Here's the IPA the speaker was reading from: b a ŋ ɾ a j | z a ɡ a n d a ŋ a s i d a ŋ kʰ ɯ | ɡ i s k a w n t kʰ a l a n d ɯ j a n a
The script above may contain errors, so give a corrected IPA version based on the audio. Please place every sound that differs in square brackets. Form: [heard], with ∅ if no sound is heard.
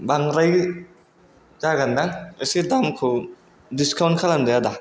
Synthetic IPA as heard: b a ŋ ɾ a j | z a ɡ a n d a ŋ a s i d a [m] kʰ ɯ | [d] i s k a w n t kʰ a l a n d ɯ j a [d] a